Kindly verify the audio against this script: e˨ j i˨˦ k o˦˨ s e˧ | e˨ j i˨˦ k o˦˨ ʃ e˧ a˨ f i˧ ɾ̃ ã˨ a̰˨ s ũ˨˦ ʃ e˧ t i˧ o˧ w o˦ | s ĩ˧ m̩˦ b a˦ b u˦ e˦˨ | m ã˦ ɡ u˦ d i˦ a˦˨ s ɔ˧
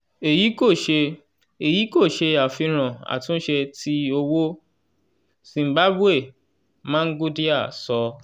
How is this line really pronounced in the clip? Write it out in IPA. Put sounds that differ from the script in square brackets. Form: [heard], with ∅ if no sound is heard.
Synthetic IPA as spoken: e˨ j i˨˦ k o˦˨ [ʃ] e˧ | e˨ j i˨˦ k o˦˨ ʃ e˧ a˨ f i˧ ɾ̃ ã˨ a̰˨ [t] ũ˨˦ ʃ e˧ t i˧ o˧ w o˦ | s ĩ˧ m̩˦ b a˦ b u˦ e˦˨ | m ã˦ ɡ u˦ d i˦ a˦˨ s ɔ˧